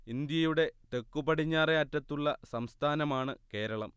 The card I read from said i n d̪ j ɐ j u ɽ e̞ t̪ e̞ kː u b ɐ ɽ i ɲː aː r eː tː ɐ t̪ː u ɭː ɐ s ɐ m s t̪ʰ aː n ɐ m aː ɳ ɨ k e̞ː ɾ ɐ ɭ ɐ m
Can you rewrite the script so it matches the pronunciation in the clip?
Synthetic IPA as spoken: i n d̪ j ɐ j u ɽ e̞ t̪ e̞ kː u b ɐ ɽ i ɲː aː r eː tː ɐ t̪ː u ɭː ɐ s ɐ m s t̪ʰ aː n ɐ m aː ɳ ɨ k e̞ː ɾ ɐ ɭ ɐ m